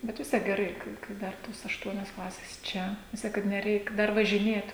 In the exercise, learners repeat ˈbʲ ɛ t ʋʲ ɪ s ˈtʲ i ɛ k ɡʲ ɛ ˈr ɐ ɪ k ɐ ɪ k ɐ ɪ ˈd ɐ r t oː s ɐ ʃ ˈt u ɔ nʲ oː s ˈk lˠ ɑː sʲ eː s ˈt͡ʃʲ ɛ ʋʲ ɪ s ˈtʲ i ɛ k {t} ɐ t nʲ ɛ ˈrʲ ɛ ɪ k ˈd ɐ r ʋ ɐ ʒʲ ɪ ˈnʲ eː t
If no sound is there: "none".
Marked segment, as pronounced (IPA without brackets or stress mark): k